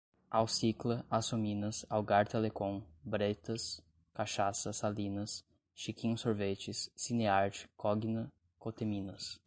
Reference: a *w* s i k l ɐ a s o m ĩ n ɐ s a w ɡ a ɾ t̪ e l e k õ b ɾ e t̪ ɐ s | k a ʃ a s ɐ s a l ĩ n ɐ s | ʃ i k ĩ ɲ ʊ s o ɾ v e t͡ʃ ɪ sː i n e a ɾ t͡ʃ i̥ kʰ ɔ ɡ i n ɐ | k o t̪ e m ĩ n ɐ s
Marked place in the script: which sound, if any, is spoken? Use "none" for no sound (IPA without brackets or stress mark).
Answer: w